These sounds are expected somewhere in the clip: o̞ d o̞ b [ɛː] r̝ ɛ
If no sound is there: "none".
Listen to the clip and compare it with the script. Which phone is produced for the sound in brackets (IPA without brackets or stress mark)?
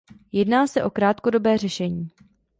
ɛː